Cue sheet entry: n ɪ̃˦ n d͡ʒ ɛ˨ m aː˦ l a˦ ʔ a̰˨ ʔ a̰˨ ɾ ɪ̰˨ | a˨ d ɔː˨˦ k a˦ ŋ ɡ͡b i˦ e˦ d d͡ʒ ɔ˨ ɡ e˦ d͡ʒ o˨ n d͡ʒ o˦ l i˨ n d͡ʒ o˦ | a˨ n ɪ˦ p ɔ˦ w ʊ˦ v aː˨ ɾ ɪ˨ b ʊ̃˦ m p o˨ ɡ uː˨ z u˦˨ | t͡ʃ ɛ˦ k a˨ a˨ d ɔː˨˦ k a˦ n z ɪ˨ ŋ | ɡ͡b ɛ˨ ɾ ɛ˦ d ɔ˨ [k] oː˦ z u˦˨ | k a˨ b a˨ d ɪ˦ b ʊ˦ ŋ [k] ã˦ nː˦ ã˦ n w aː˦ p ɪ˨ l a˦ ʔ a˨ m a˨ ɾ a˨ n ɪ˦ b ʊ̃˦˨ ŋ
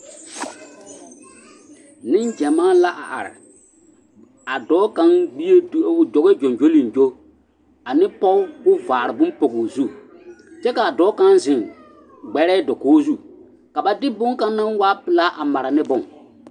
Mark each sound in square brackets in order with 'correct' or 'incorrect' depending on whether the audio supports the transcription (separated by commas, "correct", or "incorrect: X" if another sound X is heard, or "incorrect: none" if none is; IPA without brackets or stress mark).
correct, correct